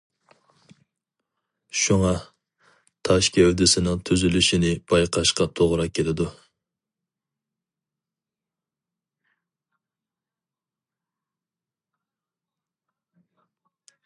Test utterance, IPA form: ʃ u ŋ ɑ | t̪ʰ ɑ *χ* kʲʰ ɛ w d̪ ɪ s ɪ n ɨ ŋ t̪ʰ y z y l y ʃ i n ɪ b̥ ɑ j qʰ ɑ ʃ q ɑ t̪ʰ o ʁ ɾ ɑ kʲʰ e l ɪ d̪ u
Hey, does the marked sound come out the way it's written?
no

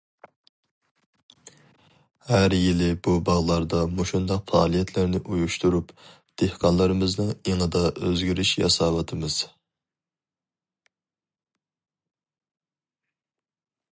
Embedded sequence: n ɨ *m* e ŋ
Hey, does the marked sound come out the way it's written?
no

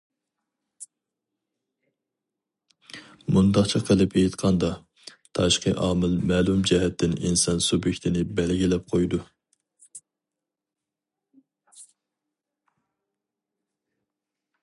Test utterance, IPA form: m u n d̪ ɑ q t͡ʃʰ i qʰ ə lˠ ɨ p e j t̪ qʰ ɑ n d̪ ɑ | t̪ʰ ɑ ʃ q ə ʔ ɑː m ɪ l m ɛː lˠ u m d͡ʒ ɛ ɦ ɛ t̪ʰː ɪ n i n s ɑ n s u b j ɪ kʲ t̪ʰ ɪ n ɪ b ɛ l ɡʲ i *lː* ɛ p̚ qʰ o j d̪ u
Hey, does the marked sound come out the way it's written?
no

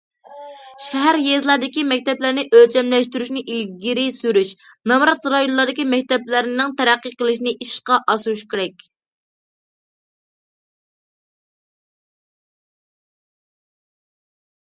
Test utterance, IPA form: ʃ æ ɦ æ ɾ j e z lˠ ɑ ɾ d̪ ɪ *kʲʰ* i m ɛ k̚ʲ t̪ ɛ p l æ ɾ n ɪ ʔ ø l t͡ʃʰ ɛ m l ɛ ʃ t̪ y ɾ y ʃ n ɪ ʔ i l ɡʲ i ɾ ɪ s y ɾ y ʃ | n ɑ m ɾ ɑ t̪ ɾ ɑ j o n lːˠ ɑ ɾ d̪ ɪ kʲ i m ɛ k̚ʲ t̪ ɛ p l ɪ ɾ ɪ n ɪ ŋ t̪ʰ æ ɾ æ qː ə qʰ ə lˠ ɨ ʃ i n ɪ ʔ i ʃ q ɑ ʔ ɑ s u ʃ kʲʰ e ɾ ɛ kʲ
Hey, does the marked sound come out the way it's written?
no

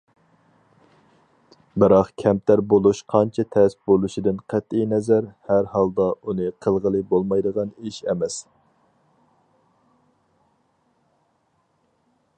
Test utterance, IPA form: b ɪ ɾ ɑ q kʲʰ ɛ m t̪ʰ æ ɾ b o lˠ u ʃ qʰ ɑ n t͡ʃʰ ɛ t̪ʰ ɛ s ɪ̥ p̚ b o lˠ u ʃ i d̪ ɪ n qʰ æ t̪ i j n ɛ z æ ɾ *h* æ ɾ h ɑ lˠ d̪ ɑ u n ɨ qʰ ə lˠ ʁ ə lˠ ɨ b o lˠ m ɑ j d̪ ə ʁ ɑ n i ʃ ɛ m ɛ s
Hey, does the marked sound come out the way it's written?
yes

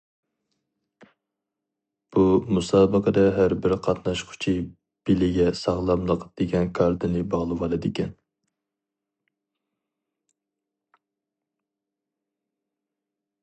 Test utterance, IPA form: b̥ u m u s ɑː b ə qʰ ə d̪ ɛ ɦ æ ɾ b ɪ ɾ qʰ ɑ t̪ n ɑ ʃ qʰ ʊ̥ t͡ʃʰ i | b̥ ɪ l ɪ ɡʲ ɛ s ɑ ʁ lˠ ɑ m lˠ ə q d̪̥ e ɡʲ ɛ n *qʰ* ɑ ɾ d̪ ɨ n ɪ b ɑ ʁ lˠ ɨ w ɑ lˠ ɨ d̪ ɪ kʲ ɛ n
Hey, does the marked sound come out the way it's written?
no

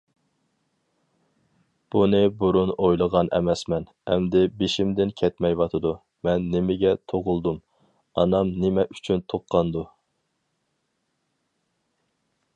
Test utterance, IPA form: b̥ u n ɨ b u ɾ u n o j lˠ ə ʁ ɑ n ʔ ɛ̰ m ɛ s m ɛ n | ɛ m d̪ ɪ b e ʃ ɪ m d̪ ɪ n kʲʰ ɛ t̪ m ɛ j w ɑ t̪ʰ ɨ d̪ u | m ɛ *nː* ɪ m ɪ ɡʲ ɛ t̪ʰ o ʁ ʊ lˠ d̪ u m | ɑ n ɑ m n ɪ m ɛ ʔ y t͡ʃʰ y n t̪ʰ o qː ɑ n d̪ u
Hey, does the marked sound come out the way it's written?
yes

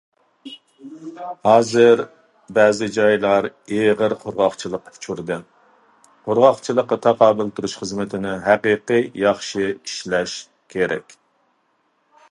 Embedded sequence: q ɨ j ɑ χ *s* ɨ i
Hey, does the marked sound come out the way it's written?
no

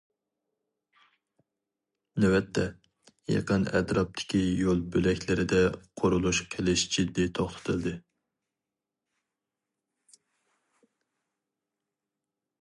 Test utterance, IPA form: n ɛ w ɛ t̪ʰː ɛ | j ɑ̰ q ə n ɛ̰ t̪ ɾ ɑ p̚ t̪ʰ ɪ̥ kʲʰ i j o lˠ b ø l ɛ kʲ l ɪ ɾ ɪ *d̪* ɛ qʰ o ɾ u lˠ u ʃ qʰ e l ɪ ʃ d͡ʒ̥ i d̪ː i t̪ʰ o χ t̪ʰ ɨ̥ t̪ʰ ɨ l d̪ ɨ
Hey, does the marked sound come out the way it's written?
yes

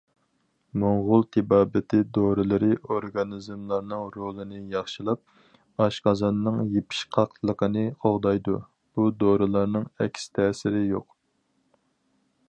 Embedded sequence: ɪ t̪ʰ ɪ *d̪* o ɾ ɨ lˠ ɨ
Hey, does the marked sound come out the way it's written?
yes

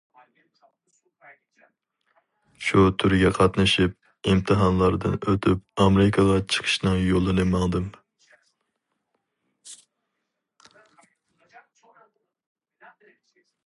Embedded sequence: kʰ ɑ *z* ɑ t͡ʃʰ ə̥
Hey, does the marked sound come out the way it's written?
no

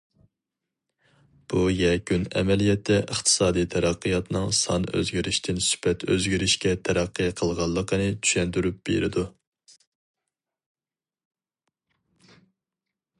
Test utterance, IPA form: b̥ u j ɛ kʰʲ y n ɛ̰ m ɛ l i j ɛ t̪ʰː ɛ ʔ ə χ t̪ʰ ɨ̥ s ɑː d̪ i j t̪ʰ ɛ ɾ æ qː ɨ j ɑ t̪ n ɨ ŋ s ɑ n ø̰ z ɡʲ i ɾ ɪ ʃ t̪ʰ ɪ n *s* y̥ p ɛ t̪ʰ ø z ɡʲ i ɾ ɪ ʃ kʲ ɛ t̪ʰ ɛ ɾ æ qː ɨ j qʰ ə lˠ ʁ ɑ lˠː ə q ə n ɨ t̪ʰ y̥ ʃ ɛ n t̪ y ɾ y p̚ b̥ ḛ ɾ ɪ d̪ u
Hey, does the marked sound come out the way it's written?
yes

